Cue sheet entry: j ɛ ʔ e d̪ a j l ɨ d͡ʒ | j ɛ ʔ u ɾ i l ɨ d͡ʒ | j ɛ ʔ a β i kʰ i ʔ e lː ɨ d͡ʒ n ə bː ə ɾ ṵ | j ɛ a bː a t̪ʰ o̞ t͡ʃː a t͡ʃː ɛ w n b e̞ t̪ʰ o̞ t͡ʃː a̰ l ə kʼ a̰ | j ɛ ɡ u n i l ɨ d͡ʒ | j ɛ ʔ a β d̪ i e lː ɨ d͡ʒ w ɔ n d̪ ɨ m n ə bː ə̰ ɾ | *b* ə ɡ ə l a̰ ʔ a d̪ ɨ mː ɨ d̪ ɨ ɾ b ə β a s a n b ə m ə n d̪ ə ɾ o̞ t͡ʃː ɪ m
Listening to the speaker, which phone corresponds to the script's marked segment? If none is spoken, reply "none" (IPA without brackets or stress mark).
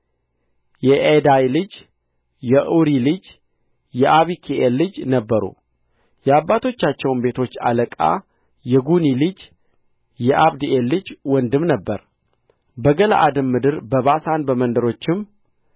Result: b